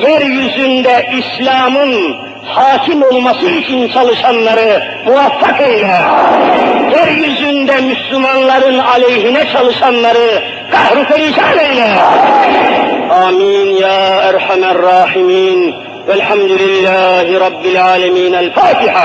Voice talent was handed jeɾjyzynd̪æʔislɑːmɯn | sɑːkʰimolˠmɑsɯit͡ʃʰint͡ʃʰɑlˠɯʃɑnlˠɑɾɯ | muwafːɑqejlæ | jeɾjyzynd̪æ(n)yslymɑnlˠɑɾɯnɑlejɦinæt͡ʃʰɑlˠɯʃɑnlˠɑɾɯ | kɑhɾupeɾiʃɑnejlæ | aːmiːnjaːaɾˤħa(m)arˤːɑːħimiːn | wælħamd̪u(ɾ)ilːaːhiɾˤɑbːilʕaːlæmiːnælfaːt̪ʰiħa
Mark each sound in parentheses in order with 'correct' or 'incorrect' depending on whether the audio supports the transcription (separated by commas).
incorrect, correct, incorrect